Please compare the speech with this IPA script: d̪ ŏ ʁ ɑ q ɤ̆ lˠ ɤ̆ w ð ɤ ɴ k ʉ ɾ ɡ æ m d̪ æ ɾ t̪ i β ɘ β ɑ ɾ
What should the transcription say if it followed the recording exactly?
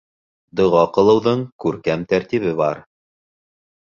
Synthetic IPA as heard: d̪ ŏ ʁ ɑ q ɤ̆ lˠ ɤ̆ w ð ɤ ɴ k ʉ ɾ k æ m t̪ æ ɾ t̪ i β ɘ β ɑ ɾ